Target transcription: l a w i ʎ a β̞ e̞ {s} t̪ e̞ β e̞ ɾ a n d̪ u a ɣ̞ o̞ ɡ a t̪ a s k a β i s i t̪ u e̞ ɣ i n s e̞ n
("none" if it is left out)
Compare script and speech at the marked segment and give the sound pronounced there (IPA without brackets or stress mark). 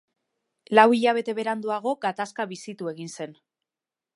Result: none